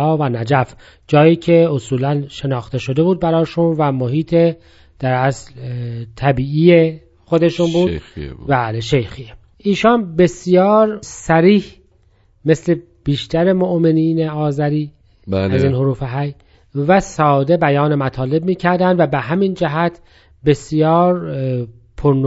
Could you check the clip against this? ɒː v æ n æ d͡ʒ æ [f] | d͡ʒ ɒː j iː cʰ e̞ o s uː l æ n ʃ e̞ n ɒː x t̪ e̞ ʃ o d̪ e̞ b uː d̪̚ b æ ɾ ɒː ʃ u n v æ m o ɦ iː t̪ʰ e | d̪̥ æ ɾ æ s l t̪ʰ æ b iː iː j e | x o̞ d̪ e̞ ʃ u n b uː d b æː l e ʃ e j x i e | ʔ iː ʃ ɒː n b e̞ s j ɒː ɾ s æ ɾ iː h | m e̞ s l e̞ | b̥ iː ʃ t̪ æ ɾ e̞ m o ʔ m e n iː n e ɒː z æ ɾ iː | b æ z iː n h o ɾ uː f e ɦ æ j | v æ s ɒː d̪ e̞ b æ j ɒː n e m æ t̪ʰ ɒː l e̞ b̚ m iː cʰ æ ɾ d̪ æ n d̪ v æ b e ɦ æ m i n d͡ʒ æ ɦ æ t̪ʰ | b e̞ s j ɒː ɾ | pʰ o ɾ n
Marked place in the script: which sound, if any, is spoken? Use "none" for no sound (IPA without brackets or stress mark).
f